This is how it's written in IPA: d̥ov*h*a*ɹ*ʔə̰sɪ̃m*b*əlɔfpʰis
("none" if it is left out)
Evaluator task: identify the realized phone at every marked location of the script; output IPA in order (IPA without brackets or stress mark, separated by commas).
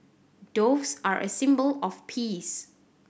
s, ɹ, b